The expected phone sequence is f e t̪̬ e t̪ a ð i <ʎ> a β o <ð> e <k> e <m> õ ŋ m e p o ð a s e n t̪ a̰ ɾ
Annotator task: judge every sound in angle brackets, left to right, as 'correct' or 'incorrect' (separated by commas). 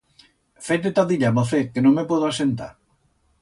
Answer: correct, incorrect, correct, incorrect